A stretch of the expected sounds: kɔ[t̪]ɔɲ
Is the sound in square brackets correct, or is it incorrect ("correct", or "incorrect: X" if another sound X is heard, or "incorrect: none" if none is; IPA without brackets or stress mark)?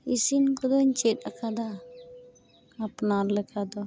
incorrect: d̪